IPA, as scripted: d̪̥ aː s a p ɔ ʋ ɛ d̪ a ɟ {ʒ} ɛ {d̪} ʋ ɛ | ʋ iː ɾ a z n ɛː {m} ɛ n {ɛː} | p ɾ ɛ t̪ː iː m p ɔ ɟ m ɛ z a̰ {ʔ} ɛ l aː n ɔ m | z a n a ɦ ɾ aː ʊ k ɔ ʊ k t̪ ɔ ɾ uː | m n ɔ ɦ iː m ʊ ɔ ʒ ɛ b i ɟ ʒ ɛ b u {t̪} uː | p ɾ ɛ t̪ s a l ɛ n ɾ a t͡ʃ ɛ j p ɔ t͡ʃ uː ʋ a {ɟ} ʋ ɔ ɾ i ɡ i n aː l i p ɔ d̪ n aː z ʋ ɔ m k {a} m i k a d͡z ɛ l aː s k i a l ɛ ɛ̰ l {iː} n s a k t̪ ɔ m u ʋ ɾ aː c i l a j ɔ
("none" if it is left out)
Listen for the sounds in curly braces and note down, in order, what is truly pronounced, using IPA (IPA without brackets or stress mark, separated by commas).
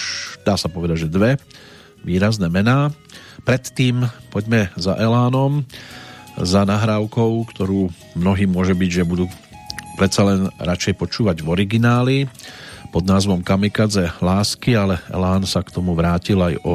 ʒ, d̪, m, aː, ʔ, d̪, ɟ, a, aː